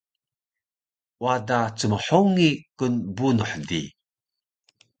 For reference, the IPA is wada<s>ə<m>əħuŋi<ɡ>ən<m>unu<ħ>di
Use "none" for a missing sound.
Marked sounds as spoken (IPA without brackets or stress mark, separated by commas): t͡s, m, k, b, ħ